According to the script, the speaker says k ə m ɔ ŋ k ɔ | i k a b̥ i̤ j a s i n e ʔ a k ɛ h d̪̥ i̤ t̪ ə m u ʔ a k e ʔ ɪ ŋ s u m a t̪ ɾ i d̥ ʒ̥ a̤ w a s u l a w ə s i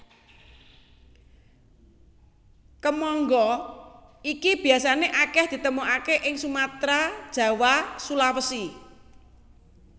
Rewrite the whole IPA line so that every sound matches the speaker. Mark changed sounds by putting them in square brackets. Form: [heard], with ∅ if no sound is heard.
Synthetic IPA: k ə m ɔ ŋ [ɡ] ɔ | i k [i] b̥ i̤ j a s [a] n e ʔ a k ɛ h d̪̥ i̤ t̪ ə m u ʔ a k e ʔ ɪ ŋ s u m a t̪ ɾ [a] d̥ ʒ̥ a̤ w a s u l a w ə s i